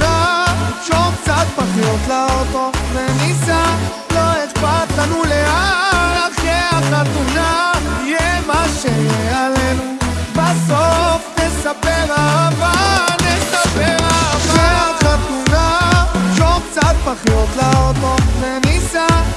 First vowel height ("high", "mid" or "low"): low